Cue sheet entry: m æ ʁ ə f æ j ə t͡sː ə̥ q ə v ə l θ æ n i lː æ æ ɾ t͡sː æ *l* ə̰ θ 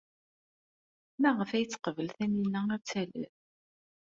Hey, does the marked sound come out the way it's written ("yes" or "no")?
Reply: yes